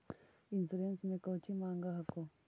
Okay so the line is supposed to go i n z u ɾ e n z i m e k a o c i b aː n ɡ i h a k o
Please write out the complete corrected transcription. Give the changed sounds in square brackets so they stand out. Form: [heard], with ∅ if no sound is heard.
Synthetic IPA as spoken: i n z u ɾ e n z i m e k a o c i [m] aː [ŋ] ɡ [a] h a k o

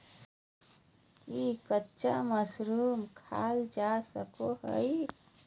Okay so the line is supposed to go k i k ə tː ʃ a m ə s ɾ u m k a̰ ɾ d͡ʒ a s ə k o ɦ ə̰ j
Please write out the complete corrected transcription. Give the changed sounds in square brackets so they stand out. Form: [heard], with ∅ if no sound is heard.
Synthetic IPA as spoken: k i k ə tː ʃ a m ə s ɾ u m [kʰ] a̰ [l] d͡ʒ a s ə k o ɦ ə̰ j

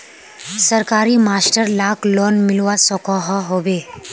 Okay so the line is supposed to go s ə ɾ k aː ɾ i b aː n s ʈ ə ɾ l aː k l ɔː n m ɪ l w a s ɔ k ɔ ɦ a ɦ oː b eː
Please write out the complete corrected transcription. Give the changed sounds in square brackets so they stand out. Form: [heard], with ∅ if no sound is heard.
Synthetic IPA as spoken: s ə ɾ k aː ɾ i [m] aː [∅] s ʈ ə ɾ l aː k l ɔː n m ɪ l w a s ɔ k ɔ ɦ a ɦ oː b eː

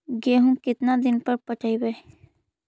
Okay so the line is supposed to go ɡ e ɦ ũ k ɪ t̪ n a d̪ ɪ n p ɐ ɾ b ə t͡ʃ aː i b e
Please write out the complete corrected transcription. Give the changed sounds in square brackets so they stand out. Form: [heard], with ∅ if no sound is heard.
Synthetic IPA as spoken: ɡ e ɦ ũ k ɪ t̪ n a d̪ ɪ n p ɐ ɾ [p] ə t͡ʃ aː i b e

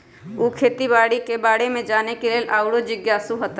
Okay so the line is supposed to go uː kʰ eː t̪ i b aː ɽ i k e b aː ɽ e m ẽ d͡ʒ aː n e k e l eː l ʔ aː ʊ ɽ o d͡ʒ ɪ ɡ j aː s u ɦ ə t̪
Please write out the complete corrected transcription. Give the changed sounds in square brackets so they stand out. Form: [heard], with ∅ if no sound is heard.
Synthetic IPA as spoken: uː kʰ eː t̪ i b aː ɽ i k e b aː ɽ e m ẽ d͡ʒ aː n e k e l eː l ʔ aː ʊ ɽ o d͡ʒ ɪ ɡ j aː s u ɦ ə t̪

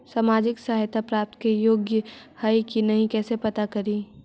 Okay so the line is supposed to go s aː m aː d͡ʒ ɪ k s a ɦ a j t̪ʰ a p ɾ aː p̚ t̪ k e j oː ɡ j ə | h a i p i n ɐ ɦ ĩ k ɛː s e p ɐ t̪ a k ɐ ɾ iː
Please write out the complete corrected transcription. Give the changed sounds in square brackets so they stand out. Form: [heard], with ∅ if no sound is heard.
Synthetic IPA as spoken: s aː m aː d͡ʒ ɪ k s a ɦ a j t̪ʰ a p ɾ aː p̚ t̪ k e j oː ɡ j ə | h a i [k] i n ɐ ɦ ĩ k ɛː s e p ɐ t̪ a k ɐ ɾ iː

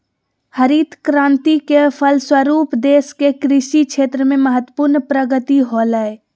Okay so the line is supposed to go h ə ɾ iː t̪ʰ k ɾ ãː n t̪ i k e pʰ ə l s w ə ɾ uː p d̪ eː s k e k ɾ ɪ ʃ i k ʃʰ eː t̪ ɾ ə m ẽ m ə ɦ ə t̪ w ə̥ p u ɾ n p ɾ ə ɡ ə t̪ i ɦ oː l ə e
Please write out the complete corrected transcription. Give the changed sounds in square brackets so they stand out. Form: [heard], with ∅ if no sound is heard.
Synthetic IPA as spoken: h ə ɾ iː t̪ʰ k ɾ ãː n t̪ i k e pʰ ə l s w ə ɾ uː p d̪ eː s k e k ɾ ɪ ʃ i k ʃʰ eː t̪ ɾ ə m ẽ m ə ɦ ə t̪ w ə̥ p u ɾ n p ɾ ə ɡ ə t̪ i ɦ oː l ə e

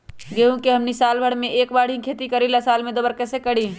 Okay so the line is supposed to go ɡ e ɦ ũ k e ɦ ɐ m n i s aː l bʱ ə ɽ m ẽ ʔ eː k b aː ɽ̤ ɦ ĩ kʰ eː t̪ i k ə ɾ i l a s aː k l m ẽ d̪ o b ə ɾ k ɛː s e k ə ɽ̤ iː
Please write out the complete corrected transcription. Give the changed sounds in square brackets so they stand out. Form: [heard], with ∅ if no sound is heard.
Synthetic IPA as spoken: ɡ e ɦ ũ k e ɦ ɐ m n i s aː l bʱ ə ɽ m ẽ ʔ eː k b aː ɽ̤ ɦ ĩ kʰ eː t̪ i k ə ɾ i l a s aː [∅] l m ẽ d̪ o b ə ɾ k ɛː s e k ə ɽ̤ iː

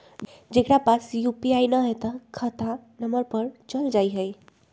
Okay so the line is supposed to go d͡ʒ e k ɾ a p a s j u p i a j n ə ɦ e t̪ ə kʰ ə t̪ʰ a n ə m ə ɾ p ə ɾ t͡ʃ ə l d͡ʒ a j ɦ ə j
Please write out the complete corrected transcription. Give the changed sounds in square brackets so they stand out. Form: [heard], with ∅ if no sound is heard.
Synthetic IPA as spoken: d͡ʒ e k ɾ a p a s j u p i a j n ə ɦ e t̪ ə kʰ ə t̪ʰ a n ə m ə ɾ p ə ɾ t͡ʃ ə l d͡ʒ a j ɦ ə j

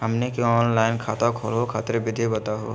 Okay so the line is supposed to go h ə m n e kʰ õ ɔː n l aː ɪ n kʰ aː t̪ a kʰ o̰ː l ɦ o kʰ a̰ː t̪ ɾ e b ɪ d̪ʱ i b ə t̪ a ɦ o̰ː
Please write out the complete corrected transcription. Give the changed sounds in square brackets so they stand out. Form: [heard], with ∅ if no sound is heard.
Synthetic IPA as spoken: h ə m n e [k] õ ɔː n l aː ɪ n kʰ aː t̪ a kʰ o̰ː l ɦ o kʰ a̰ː t̪ ɾ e b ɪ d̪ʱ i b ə t̪ a ɦ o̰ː

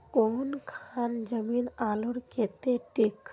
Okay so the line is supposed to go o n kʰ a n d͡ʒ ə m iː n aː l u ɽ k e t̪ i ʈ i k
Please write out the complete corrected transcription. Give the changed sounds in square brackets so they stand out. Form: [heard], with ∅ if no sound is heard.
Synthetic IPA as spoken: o n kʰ a n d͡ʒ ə m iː n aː l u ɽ k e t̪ [e] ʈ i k

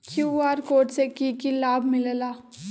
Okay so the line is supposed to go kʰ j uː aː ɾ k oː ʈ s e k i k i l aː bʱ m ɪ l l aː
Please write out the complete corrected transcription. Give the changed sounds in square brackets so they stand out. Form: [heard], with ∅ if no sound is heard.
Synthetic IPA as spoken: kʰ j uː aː ɾ k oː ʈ s e k i k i l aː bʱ m ɪ l l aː

